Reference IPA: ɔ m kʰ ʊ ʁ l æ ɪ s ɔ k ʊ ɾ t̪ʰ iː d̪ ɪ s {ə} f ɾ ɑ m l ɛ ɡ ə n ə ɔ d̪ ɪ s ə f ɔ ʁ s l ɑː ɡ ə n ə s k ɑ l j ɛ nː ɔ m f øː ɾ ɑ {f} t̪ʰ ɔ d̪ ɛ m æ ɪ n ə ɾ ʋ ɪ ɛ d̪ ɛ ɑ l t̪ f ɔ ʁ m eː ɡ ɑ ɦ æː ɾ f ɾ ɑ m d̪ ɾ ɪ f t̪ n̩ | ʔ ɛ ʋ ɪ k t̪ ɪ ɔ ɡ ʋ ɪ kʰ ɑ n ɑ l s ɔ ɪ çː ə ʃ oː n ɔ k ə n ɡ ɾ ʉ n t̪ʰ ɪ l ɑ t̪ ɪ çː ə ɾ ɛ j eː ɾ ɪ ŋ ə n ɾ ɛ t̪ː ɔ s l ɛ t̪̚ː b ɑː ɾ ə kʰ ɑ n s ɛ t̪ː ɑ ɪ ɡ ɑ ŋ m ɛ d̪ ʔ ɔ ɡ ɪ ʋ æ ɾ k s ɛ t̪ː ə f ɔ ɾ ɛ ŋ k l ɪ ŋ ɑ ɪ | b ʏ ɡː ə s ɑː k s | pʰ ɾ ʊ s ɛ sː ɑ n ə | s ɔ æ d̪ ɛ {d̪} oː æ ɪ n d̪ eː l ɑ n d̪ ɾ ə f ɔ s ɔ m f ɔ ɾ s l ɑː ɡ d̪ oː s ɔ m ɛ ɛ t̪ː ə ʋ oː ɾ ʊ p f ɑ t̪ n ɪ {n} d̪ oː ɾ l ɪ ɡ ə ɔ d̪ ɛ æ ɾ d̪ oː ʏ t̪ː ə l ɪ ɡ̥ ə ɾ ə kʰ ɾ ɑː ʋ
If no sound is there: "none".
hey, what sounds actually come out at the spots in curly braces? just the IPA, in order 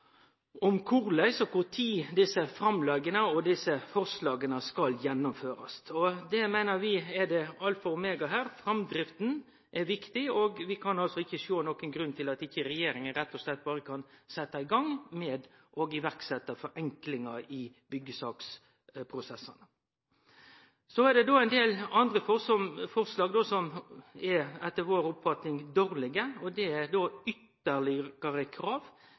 ə, s, d̪, ŋ

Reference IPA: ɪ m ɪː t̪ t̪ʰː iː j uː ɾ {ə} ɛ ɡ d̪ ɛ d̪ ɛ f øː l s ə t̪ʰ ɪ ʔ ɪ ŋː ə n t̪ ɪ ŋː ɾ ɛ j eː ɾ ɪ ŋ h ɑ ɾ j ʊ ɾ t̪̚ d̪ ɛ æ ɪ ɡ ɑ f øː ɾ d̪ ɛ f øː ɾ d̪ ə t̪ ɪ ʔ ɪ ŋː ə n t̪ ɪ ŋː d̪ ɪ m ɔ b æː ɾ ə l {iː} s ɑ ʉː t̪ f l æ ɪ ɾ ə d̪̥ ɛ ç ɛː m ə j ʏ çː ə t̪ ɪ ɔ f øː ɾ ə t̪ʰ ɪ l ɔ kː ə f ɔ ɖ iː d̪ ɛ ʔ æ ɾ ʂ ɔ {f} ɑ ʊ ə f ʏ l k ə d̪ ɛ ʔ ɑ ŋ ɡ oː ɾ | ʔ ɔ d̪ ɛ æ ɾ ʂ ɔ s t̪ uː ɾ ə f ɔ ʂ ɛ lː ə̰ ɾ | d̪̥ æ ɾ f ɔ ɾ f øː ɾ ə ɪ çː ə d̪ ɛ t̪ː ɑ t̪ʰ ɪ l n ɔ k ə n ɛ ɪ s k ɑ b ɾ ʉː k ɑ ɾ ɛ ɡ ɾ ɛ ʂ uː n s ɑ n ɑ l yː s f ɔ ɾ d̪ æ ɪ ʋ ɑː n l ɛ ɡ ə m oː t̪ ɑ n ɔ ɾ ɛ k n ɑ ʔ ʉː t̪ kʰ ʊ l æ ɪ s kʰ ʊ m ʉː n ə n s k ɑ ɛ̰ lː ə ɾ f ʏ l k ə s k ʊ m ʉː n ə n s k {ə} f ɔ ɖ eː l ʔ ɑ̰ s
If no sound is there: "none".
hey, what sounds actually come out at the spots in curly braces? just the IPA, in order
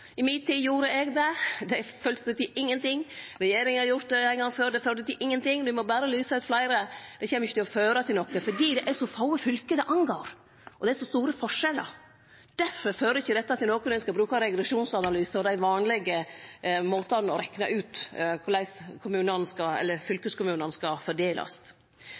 ə, yː, f, ɑ

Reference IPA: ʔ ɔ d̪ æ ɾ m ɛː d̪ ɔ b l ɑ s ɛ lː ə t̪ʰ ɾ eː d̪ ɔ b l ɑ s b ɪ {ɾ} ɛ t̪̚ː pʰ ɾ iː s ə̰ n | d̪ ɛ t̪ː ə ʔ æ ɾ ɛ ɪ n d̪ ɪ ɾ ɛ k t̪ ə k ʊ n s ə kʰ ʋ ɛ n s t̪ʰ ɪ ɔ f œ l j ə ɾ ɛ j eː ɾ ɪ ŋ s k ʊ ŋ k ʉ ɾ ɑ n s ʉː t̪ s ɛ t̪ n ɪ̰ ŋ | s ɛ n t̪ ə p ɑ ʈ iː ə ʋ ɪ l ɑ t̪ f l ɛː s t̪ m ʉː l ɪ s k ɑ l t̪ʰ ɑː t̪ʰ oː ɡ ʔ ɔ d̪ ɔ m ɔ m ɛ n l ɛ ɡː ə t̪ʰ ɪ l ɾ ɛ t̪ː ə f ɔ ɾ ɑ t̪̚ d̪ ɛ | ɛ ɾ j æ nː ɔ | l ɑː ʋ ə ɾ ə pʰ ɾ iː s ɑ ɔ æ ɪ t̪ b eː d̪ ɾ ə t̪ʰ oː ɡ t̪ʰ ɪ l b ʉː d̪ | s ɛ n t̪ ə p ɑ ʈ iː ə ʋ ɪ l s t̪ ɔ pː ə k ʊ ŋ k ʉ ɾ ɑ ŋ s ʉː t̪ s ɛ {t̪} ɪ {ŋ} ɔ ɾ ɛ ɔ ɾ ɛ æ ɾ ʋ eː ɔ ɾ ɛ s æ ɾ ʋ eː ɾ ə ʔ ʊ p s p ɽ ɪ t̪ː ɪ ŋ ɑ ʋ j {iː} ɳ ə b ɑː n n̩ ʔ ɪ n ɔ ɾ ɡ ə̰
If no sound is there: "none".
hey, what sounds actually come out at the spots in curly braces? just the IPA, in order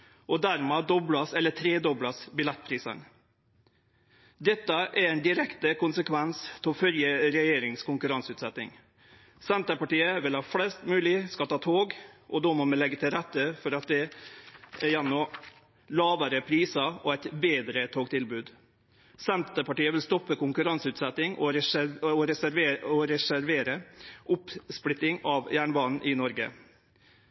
l, t̪, ŋ, æː

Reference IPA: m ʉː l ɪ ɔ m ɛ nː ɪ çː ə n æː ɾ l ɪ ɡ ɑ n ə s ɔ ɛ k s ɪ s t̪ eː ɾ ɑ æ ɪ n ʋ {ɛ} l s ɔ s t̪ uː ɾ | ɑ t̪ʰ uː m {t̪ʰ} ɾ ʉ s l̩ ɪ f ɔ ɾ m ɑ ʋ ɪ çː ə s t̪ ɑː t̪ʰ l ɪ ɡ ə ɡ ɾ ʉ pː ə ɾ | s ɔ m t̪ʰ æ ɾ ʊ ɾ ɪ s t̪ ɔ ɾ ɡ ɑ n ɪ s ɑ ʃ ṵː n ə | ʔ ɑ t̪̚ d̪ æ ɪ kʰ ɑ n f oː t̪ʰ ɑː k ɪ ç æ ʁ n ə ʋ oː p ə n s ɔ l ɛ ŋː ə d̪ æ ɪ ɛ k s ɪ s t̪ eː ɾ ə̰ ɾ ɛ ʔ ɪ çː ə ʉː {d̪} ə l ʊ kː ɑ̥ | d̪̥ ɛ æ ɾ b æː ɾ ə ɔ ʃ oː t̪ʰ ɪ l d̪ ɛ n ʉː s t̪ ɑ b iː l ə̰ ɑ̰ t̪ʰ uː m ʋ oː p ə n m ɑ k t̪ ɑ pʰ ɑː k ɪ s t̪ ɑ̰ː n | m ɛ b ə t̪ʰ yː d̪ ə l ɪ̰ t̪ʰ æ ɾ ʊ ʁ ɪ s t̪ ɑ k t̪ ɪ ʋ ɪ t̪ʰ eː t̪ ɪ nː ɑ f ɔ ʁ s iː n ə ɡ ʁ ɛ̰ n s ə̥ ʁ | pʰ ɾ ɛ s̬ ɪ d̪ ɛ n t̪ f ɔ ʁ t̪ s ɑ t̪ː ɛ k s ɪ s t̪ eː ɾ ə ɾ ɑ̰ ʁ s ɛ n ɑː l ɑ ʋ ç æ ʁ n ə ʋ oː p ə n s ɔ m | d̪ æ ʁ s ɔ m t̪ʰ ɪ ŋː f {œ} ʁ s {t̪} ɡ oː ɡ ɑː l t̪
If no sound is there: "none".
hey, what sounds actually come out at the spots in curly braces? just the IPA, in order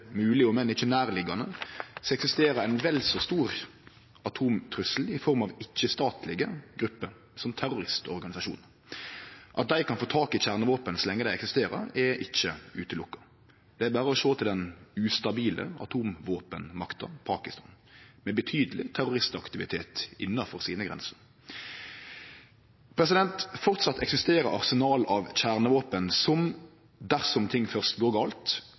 ɛ, t̪ʰ, t̪, œ, t̪

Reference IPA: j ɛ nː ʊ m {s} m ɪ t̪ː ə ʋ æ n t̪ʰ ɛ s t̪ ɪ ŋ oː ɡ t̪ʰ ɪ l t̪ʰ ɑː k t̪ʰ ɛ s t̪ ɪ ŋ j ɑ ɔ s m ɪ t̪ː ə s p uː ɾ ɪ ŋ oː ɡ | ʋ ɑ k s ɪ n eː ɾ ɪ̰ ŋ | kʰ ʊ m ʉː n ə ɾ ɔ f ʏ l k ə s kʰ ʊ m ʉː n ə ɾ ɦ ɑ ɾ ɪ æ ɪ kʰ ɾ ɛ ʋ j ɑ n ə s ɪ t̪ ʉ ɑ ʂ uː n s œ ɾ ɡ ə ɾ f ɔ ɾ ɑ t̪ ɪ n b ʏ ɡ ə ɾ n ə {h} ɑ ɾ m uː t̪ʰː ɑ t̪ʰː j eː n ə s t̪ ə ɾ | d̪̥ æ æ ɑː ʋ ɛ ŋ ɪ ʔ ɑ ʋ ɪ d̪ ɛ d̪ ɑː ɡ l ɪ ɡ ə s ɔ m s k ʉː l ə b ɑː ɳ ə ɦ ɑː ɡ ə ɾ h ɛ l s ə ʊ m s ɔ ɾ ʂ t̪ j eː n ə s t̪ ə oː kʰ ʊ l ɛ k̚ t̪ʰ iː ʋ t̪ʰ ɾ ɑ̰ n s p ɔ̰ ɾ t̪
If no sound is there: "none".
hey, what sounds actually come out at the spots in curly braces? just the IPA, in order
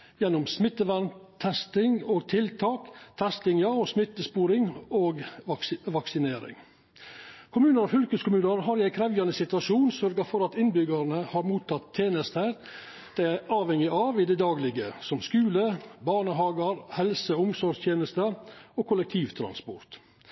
s, h

